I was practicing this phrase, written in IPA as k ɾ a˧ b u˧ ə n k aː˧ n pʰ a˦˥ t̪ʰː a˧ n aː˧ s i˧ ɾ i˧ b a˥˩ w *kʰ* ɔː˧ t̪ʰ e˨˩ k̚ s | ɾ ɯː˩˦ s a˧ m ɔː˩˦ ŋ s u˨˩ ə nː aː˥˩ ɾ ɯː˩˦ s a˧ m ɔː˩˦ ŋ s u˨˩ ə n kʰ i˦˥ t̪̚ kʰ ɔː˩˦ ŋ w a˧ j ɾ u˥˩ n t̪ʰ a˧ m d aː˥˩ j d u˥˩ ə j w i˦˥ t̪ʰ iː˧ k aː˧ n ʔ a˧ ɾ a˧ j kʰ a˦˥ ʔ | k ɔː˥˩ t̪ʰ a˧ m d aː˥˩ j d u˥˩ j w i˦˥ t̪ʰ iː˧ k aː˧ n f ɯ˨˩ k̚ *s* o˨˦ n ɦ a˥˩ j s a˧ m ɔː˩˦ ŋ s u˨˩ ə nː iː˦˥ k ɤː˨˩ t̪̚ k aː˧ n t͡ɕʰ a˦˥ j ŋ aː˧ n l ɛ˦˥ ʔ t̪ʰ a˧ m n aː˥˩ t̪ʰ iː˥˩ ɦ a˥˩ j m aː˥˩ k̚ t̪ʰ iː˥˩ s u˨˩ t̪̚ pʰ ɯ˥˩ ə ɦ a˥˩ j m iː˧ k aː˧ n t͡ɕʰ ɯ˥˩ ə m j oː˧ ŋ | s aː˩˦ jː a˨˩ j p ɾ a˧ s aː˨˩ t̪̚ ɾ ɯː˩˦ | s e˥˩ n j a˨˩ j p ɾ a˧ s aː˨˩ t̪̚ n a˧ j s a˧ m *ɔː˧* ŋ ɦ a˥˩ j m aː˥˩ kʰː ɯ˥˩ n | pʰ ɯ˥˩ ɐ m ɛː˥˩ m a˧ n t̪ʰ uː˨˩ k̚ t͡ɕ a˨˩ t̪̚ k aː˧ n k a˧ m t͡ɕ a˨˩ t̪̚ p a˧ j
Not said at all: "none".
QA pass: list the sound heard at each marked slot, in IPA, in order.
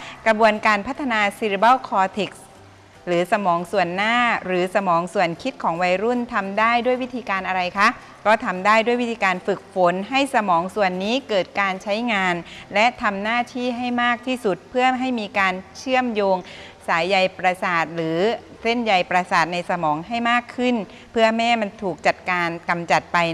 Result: kʰ, f, ɔː˩˦

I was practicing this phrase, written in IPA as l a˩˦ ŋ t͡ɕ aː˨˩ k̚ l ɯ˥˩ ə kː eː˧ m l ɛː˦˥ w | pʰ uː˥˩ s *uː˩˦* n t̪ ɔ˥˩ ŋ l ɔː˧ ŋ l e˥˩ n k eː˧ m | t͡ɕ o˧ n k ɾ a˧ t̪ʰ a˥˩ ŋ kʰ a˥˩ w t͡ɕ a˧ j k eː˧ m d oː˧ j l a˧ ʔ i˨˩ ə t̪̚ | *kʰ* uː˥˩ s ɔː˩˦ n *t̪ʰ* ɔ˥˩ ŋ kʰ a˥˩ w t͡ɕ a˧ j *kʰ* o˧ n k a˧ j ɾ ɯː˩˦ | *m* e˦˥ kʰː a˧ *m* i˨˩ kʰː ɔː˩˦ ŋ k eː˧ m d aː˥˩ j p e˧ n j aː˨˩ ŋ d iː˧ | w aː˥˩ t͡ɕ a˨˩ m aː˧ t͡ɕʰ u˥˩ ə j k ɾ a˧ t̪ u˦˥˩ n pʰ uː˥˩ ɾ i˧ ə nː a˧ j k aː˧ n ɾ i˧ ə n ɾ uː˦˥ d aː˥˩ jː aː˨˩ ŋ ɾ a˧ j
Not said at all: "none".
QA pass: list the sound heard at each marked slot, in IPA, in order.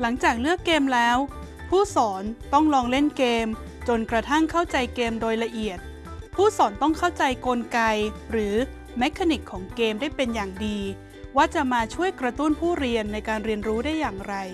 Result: ɔː˩˦, pʰ, t̪, k, m, n

